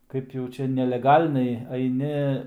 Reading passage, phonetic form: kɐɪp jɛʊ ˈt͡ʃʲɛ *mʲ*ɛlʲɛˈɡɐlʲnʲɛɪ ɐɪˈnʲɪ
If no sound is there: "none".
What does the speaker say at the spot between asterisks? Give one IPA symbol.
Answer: nʲ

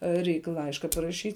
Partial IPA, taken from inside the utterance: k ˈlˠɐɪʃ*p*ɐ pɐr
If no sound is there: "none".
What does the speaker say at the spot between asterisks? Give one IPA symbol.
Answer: k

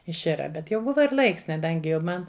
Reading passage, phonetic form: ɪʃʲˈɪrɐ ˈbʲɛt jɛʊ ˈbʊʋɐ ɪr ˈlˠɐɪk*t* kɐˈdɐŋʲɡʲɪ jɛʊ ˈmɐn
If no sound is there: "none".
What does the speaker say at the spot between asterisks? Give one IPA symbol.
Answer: s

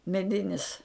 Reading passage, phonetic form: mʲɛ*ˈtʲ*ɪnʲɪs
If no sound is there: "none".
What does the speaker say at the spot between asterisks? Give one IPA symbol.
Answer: dʲ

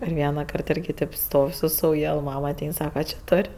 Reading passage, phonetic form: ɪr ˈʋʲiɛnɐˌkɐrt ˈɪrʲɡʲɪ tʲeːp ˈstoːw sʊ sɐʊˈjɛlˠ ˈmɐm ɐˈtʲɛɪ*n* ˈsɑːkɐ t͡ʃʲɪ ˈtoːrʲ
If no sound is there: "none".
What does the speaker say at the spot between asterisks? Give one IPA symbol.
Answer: n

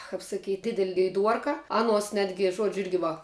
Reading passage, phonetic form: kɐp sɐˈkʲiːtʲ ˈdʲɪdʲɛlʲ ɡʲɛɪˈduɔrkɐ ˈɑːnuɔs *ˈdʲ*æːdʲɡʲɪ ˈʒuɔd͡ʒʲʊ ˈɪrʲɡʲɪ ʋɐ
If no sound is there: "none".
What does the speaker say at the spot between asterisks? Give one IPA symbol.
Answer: nʲ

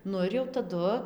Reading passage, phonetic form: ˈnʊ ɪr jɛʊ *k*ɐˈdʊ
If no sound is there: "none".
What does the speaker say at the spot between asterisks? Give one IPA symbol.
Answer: t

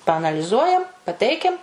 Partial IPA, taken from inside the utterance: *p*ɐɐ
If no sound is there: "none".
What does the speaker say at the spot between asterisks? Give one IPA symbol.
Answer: p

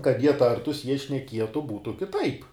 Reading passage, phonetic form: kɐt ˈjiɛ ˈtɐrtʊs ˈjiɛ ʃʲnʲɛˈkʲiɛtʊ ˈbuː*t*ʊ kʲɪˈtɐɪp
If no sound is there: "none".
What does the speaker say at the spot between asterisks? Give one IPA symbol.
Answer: t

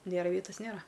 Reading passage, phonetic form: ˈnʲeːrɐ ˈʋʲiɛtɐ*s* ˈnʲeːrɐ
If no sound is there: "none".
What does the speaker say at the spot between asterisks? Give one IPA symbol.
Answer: s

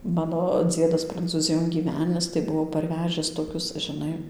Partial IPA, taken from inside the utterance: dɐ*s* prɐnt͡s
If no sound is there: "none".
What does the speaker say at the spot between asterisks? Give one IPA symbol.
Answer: s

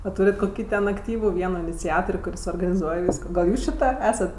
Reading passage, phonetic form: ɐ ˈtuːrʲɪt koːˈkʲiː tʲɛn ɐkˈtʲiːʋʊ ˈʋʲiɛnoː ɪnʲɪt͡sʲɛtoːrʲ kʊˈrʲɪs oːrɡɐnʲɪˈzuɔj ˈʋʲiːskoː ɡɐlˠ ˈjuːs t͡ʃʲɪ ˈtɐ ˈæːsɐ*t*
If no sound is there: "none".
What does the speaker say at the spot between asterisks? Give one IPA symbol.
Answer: t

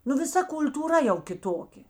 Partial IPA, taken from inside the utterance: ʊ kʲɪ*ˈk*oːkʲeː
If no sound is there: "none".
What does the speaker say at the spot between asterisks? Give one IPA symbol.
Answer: t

